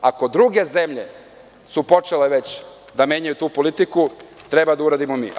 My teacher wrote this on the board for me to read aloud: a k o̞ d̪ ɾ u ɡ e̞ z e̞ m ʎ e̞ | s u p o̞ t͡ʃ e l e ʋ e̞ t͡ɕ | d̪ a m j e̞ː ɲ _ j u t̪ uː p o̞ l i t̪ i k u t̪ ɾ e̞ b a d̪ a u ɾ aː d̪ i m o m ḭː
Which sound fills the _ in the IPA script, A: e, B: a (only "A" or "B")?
B